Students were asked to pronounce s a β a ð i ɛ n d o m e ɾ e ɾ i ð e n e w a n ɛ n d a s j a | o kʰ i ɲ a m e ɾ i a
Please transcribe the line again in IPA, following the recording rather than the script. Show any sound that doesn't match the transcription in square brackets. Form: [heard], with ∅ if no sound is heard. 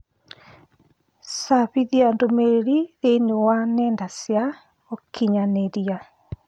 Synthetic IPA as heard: s a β [i] ð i [a] n d o m e ɾ e ɾ i ð e n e w a n ɛ n d a s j a | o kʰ i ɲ a [n] e ɾ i a